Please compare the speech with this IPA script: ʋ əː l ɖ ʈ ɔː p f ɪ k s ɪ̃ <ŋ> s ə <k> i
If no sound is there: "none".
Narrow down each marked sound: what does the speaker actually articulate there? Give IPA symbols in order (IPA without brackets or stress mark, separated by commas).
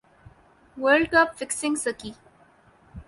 ŋ, k